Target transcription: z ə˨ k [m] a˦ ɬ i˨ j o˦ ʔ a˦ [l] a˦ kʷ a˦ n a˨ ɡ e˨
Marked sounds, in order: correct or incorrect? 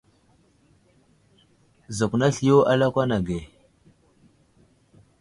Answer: incorrect: n, correct

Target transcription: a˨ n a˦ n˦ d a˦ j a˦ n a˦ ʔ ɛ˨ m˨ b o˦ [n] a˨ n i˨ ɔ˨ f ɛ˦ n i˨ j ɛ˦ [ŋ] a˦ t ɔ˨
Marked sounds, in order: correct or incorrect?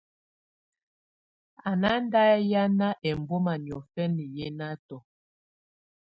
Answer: incorrect: m, incorrect: n

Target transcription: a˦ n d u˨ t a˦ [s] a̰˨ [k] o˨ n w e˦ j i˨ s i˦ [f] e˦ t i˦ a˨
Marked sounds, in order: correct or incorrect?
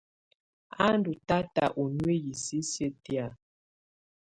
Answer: incorrect: t, incorrect: ʔ, incorrect: s

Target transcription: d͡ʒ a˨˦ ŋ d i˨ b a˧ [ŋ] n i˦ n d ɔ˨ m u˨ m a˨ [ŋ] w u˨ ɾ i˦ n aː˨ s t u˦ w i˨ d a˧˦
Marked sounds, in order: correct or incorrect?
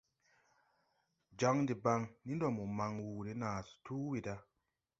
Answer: correct, correct

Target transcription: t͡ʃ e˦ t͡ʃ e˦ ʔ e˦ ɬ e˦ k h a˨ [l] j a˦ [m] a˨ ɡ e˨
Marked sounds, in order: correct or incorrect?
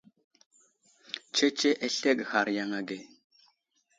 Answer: incorrect: ɾ, incorrect: ŋ

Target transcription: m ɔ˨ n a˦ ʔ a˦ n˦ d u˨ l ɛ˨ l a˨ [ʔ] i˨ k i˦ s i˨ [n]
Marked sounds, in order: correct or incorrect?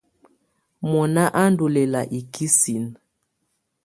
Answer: correct, correct

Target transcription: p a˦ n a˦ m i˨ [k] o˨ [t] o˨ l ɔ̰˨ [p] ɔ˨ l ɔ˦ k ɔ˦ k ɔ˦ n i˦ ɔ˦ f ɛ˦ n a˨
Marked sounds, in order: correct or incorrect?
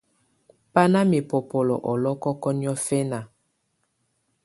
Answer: incorrect: p, incorrect: p, incorrect: ʔ

